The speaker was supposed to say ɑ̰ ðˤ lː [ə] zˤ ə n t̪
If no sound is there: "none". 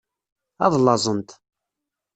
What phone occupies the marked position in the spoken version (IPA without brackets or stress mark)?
ɑ